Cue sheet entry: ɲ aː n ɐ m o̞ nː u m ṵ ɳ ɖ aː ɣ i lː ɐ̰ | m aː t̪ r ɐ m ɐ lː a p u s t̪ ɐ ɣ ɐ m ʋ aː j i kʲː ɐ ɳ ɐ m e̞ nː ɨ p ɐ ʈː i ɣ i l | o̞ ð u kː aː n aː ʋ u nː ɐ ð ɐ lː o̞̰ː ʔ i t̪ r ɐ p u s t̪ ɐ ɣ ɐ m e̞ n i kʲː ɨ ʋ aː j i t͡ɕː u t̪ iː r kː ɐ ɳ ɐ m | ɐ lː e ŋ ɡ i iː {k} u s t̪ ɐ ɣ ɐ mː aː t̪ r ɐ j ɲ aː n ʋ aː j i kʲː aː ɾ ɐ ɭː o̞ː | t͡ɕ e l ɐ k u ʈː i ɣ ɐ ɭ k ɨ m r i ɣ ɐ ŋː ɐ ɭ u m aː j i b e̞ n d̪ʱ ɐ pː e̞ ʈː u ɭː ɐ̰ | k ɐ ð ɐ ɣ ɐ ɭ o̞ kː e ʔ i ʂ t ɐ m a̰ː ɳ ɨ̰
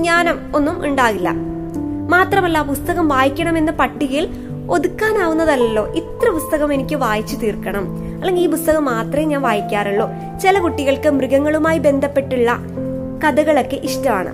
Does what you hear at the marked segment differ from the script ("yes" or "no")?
yes